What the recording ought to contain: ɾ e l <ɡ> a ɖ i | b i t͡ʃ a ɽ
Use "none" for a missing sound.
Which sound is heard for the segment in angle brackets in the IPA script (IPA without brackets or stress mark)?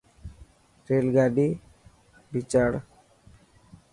ɡ